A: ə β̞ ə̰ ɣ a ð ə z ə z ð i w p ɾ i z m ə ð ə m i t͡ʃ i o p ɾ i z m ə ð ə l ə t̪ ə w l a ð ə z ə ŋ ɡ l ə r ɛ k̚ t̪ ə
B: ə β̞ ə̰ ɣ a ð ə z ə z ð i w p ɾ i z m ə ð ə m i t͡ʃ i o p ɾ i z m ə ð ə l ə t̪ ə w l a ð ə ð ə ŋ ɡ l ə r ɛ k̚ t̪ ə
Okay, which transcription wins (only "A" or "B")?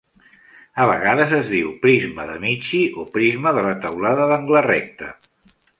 B